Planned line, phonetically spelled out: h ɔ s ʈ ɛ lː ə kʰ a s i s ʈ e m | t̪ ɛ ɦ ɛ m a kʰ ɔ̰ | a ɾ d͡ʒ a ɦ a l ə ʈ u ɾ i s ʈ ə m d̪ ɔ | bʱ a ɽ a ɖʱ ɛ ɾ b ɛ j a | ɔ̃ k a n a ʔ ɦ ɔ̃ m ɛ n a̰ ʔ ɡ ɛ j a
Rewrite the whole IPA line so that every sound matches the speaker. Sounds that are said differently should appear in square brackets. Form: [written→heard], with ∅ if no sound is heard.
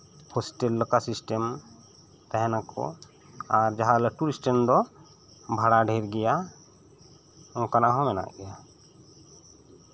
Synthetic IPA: h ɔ s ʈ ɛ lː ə [kʰ→k] a s i s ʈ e m | t̪ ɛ ɦ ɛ [m→n] a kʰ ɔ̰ | a ɾ d͡ʒ a ɦ a l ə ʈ u ɾ i s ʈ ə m d̪ ɔ | bʱ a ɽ a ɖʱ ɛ ɾ [b→ɡ] ɛ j a | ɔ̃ k a n a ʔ ɦ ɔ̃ m ɛ n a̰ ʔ ɡ ɛ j a

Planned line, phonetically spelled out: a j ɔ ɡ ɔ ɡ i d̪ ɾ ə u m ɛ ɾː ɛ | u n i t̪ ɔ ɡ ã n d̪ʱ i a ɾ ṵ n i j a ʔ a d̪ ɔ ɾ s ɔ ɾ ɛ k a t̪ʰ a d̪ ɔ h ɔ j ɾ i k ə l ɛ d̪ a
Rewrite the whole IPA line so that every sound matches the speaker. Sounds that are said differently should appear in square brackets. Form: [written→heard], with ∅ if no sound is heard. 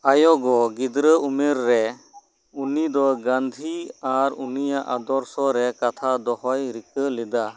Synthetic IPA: a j ɔ ɡ ɔ ɡ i d̪ ɾ ə u m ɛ ɾː ɛ | u n i [t̪→d̪] ɔ ɡ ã n d̪ʱ i a ɾ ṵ n i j a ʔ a d̪ ɔ ɾ s ɔ ɾ ɛ k a t̪ʰ a d̪ ɔ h ɔ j ɾ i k ə l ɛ d̪ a

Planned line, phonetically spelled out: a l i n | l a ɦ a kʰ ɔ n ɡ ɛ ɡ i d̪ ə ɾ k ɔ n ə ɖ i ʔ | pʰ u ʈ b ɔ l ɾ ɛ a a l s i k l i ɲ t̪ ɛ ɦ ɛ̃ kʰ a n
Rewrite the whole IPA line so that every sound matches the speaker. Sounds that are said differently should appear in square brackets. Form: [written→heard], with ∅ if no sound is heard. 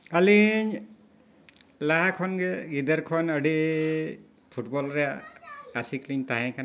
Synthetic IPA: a l i [n→ɲ] | l a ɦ a kʰ ɔ n ɡ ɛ ɡ i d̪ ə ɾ [k→kʰ] ɔ n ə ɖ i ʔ | pʰ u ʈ b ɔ l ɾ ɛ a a [l→∅] s i k l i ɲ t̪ [ɛ→a] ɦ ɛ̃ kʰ a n

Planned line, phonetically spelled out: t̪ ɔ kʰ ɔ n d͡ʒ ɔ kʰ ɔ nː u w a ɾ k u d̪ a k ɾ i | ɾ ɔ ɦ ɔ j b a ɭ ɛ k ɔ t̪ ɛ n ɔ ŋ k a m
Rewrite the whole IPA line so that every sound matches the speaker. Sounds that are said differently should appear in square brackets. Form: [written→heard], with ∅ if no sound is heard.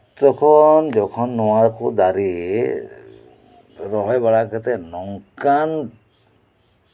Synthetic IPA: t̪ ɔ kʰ ɔ n d͡ʒ ɔ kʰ ɔ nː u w a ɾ k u d̪ a [k→∅] ɾ i | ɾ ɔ ɦ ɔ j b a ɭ [ɛ→a] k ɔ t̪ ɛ n ɔ ŋ k a [m→n]

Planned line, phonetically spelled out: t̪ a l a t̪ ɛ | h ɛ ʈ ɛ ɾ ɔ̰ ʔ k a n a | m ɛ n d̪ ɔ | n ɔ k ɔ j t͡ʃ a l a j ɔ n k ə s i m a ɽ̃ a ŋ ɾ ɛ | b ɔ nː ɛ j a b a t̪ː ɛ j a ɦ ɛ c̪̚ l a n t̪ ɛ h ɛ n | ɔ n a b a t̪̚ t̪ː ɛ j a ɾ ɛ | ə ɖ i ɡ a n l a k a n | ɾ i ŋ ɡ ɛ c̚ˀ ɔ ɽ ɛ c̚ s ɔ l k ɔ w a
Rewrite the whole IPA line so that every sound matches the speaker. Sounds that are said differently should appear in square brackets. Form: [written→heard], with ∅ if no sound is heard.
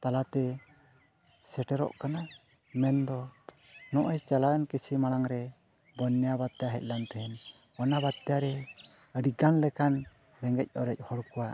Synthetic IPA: t̪ a l a t̪ ɛ | [h→s] ɛ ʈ ɛ ɾ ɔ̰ ʔ k a n a | m ɛ n d̪ ɔ | n ɔ [k→ʔ] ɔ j t͡ʃ a l a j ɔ n k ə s i m a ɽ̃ a ŋ ɾ ɛ | b ɔ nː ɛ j a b a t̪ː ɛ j a ɦ ɛ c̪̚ l a n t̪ ɛ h ɛ n | ɔ n a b a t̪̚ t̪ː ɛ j a ɾ ɛ | ə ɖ i ɡ a n l [a→ɛ] k a n | ɾ [i→ɛ] ŋ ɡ ɛ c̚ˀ ɔ [ɽ→ɾ] ɛ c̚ [s→h] ɔ [l→ɽ] k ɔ w a

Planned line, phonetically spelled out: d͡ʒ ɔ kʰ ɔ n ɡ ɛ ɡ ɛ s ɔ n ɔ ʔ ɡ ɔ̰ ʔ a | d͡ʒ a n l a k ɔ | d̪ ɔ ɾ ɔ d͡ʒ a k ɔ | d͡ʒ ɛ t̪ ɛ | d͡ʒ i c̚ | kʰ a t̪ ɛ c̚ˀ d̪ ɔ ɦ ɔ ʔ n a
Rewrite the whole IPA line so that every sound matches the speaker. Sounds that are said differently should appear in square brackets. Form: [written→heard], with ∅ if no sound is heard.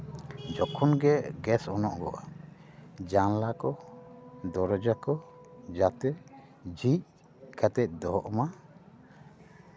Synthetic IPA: d͡ʒ ɔ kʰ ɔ n ɡ ɛ ɡ ɛ s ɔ n ɔ ʔ ɡ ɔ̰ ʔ a | d͡ʒ a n l a k ɔ | d̪ ɔ ɾ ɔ d͡ʒ a k ɔ | d͡ʒ [ɛ→a] t̪ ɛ | d͡ʒ i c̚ | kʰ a t̪ ɛ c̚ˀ d̪ ɔ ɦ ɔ ʔ [n→m] a

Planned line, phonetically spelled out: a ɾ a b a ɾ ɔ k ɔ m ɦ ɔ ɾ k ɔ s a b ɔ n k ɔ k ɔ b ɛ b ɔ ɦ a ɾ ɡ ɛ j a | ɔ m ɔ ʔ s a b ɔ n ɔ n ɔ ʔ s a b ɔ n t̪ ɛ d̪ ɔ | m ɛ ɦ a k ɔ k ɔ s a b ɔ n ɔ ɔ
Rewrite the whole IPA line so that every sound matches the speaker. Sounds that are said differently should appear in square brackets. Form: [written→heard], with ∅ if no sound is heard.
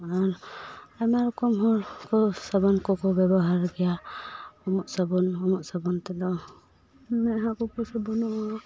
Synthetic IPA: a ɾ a [b→m] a ɾ ɔ k ɔ m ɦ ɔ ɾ k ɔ s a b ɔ n k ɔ k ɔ b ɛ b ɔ ɦ a ɾ ɡ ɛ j a | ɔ m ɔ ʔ s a b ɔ n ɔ [n→m] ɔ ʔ s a b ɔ n t̪ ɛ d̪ ɔ | m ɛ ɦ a k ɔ k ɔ s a b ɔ n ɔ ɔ

